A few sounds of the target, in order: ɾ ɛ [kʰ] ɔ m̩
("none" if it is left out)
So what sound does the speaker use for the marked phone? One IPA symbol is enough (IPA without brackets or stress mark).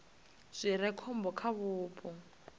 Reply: kʰ